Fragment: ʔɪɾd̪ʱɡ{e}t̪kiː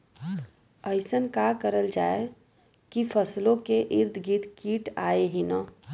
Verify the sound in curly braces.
incorrect: i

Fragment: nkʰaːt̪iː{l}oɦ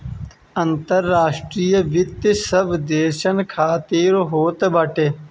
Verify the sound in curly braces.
incorrect: ɾ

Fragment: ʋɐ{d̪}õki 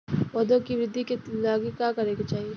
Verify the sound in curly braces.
correct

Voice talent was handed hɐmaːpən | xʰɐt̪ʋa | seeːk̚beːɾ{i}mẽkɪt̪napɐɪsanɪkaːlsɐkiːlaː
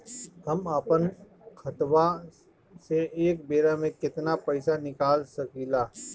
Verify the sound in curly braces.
incorrect: a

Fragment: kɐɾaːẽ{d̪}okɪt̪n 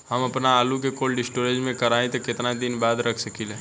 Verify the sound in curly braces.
incorrect: t̪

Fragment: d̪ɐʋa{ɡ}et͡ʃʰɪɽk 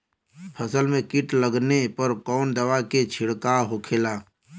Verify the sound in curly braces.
incorrect: k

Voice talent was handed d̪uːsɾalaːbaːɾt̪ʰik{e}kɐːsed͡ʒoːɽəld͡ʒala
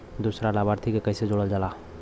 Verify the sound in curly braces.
correct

